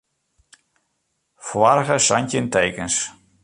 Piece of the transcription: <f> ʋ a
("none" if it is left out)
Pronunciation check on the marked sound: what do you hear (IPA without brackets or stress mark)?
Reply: f